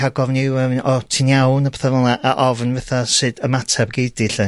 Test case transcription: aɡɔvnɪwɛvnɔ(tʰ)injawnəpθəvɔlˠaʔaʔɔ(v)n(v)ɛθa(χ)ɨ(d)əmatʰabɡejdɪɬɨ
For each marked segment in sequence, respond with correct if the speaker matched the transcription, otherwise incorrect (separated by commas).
correct, correct, correct, incorrect, correct